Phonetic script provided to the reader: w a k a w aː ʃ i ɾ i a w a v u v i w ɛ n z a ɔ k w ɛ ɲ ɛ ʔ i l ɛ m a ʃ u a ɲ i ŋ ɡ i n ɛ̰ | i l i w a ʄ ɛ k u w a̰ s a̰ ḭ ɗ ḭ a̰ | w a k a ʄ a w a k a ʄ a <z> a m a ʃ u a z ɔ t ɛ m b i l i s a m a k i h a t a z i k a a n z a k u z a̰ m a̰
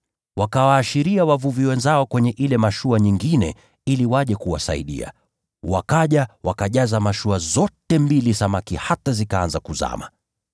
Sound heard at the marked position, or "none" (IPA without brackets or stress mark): z